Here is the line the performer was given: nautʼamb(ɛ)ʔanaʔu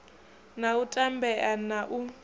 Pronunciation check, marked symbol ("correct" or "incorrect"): correct